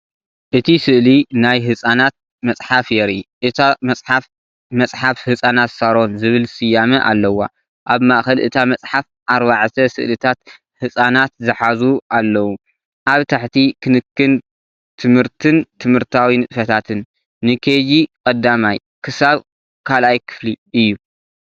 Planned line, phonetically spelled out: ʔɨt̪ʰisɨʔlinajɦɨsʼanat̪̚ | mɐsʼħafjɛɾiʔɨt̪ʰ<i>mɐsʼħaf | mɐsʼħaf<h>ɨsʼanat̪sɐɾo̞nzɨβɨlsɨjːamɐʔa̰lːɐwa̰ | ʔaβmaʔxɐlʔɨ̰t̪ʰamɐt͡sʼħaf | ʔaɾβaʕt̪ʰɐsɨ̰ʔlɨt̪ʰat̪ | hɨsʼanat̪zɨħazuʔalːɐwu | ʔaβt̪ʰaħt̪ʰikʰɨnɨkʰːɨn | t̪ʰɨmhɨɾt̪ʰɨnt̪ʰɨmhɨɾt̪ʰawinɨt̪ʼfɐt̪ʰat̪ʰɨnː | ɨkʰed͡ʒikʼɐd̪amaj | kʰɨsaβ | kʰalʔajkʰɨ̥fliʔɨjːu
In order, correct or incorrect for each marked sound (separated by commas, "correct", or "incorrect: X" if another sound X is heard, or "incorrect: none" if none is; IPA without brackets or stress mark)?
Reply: incorrect: a, correct